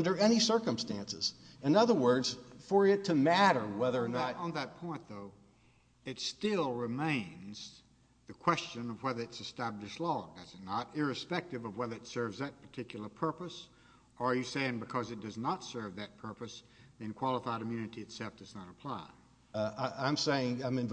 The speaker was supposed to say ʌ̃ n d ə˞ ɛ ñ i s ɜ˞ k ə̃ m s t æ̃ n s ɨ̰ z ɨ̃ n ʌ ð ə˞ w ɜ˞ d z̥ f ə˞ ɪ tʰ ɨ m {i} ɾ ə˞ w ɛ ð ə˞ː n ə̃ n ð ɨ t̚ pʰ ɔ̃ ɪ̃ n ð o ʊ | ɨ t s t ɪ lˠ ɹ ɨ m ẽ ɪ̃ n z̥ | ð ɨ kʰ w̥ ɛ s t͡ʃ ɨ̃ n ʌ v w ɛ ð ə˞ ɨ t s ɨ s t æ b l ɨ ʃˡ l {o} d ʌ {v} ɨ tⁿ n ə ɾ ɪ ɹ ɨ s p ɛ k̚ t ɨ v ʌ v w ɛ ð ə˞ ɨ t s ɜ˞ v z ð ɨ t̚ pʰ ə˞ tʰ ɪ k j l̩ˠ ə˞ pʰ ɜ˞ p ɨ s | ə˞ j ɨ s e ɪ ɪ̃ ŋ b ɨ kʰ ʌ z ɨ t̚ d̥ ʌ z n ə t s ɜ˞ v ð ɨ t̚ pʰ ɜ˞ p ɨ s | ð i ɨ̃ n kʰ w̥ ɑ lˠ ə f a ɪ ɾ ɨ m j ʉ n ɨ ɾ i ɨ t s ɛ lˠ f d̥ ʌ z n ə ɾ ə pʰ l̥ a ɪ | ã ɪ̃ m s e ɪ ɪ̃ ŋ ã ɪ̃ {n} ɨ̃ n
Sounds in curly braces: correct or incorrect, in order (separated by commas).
incorrect, incorrect, incorrect, incorrect